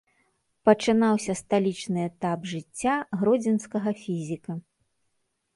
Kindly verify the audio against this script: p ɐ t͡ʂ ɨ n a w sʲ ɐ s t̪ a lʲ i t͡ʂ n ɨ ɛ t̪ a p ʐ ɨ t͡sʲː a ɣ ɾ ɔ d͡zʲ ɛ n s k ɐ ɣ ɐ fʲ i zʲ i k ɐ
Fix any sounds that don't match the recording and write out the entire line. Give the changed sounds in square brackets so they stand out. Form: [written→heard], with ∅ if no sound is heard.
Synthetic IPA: p ɐ t͡ʂ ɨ n a w sʲ ɐ s t̪ a lʲ i t͡ʂ n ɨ ɛ t̪ a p ʐ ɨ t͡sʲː a ɣ ɾ ɔ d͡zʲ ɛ n s k ɐ ɣ ɐ fʲ i zʲ i k ɐ